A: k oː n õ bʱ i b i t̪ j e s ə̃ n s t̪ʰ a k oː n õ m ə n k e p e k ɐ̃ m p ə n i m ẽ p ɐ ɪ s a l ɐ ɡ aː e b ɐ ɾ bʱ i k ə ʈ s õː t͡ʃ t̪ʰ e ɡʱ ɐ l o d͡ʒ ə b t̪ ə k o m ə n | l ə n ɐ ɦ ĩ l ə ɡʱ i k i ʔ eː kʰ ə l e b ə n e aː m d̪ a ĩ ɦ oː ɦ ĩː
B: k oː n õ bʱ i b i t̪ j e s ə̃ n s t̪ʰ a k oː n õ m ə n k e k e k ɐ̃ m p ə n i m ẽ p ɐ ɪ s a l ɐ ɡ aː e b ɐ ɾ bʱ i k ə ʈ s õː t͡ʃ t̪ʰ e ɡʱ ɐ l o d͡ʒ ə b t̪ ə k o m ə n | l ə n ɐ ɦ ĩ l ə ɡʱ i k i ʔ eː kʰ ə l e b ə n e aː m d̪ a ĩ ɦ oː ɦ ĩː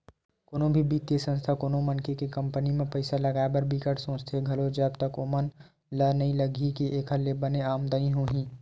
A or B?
B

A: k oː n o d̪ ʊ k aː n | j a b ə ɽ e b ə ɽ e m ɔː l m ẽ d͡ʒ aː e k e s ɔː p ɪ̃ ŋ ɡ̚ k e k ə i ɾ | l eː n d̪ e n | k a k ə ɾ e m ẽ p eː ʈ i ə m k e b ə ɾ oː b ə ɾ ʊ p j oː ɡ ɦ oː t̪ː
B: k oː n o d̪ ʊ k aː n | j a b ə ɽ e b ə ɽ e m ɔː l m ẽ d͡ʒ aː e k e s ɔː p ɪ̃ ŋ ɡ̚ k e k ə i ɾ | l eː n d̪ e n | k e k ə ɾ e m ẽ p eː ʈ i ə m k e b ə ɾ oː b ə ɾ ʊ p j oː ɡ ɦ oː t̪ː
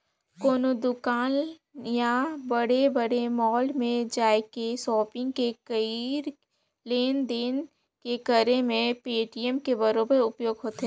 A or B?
B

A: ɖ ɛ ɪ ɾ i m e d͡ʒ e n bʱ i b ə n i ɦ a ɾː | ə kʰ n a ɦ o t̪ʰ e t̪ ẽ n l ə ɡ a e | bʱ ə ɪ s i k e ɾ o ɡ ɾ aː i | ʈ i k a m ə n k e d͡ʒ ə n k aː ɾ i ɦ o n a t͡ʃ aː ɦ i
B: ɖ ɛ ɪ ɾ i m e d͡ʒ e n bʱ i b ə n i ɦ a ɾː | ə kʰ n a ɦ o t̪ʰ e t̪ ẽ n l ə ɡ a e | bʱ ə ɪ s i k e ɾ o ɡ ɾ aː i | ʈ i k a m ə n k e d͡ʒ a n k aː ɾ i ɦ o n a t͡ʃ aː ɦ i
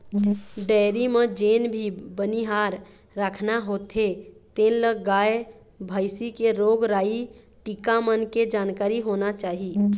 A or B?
B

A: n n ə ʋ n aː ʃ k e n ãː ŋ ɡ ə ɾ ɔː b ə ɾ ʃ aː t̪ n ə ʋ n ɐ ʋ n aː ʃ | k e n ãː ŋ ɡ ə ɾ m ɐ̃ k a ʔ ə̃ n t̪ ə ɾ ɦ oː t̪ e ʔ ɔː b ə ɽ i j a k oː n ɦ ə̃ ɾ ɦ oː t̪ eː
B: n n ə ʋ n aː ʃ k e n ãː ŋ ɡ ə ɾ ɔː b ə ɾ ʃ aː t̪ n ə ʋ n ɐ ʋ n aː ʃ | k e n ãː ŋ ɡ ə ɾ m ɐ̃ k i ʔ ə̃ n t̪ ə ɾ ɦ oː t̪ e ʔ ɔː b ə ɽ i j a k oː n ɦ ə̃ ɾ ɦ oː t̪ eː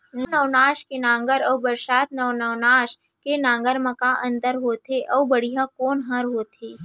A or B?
A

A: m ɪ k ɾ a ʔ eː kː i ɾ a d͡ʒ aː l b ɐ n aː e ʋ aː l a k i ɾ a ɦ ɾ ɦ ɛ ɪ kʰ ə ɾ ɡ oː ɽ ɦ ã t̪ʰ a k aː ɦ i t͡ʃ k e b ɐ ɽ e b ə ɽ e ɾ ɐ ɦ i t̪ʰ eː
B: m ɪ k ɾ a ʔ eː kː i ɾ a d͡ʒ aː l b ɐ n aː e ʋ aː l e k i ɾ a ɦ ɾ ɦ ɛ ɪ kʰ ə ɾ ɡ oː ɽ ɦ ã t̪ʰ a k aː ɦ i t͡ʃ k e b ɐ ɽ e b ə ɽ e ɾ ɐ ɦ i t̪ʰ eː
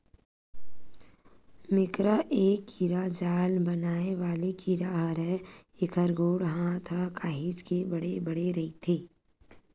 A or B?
B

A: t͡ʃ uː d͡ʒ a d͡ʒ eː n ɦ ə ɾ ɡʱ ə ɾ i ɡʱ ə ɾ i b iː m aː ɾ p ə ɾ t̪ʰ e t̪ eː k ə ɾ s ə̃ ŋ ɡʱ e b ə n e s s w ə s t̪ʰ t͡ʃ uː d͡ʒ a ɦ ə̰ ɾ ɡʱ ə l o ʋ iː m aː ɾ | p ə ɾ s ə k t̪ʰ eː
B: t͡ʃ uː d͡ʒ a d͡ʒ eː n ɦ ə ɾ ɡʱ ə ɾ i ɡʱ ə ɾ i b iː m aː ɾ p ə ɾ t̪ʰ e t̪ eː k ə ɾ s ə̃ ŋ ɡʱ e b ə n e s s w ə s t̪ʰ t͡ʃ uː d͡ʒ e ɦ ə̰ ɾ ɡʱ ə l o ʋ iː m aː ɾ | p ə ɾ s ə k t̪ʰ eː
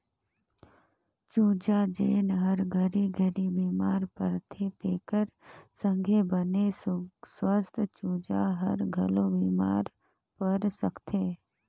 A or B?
A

